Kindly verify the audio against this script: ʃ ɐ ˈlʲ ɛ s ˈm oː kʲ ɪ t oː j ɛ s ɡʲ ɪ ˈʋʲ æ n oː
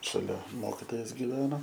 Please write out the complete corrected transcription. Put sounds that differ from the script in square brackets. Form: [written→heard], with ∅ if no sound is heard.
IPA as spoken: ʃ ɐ ˈlʲ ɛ [s→∅] ˈm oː kʲ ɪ t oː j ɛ s ɡʲ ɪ ˈʋʲ [æ→æː] n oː